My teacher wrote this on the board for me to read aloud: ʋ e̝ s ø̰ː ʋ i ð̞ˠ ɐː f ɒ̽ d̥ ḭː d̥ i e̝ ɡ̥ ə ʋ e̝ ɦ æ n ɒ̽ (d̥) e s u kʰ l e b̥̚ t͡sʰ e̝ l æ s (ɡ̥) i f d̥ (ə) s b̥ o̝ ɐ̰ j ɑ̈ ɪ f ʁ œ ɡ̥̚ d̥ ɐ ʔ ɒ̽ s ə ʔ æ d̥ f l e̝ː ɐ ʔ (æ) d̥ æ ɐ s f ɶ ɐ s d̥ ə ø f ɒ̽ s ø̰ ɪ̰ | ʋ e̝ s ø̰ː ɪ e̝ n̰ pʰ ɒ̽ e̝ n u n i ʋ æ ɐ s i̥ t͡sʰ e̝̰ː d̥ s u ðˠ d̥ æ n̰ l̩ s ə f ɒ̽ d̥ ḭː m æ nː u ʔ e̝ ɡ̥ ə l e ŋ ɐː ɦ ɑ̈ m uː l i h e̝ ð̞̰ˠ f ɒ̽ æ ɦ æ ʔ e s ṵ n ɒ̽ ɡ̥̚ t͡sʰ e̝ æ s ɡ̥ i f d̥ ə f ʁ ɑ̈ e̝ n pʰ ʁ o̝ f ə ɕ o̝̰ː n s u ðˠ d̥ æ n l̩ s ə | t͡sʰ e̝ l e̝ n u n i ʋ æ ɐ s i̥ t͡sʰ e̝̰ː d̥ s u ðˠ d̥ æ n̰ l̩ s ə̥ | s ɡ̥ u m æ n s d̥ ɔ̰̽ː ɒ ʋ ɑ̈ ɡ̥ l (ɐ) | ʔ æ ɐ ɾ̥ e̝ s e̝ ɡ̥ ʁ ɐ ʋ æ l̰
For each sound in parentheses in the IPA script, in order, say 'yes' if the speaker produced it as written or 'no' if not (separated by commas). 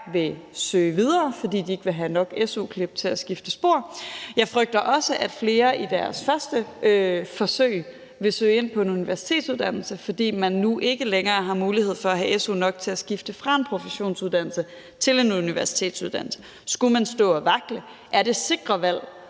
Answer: no, yes, yes, no, no